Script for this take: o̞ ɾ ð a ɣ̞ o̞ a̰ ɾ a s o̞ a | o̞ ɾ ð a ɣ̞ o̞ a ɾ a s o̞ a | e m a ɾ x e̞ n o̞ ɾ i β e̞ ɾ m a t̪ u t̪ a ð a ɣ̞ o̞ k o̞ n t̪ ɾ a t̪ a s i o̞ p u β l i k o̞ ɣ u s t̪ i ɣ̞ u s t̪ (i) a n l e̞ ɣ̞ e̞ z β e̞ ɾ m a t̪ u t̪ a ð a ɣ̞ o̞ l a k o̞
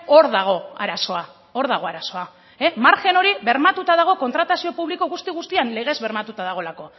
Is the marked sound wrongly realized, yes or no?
no